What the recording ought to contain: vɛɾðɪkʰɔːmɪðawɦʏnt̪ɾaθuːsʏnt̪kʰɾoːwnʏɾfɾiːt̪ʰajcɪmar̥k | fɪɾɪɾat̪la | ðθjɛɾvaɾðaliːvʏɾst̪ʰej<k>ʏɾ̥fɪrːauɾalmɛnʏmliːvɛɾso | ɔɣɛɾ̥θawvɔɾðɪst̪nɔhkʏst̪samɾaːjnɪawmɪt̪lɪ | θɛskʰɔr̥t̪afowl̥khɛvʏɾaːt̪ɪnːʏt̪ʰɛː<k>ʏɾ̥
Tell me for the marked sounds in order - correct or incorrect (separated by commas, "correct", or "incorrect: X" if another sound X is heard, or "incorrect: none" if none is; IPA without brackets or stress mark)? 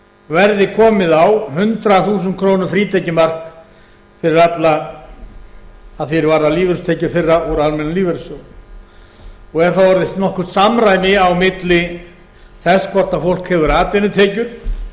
incorrect: c, incorrect: c